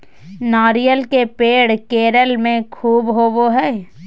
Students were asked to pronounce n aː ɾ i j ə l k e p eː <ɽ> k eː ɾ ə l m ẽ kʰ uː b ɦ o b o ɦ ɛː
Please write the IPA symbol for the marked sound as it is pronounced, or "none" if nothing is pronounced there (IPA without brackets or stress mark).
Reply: ɽ